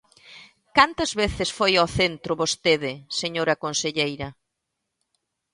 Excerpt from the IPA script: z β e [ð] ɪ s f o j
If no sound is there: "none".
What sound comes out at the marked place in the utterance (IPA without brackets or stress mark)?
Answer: θ